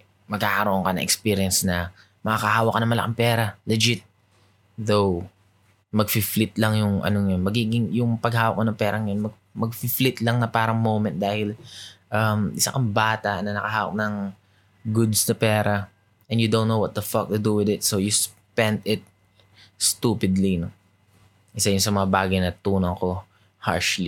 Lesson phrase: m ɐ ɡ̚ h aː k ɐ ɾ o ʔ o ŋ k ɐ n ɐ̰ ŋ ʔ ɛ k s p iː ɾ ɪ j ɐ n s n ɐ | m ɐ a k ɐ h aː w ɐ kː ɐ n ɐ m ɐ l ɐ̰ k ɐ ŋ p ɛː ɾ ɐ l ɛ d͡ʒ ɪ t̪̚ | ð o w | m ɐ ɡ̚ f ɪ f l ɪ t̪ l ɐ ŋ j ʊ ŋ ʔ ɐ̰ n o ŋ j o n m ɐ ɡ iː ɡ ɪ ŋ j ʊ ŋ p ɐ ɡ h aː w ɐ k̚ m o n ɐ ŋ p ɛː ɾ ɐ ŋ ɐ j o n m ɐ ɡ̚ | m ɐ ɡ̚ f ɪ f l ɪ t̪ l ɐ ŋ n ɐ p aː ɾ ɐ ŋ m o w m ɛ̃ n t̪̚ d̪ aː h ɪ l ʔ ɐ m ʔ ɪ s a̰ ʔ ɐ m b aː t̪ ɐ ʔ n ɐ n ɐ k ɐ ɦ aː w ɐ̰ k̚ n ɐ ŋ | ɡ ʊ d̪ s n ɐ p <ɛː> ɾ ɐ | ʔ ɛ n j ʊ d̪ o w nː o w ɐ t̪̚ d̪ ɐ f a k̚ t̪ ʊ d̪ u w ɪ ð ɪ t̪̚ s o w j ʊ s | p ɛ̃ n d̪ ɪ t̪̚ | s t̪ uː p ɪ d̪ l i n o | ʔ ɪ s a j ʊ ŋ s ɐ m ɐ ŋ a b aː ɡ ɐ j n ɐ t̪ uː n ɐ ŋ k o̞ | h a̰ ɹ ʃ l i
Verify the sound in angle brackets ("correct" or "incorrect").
correct